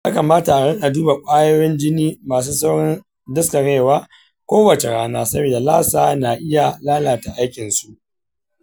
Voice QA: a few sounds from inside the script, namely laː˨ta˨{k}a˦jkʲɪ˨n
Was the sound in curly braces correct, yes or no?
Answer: no